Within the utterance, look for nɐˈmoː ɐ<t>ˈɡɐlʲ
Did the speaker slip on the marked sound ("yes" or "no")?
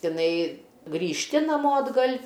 yes